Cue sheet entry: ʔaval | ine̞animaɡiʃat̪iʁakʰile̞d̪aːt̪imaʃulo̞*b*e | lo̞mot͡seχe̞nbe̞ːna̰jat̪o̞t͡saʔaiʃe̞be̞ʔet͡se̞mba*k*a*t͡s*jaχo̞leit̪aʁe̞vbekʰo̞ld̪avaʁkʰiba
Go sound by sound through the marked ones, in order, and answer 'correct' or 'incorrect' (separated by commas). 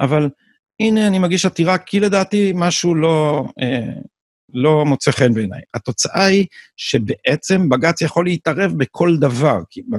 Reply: incorrect, incorrect, correct